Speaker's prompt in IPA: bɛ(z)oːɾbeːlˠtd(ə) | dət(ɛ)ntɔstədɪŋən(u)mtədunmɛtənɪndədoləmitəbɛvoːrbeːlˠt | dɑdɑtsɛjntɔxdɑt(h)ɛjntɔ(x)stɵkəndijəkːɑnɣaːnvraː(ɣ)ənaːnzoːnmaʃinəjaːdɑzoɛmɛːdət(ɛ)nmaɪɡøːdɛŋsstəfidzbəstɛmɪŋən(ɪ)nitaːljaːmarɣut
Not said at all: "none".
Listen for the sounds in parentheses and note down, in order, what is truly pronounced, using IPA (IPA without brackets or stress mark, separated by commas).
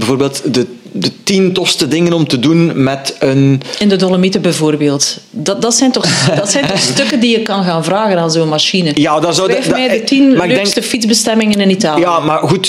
v, ə, i, ɔ, s, x, ɣ, i, ɪ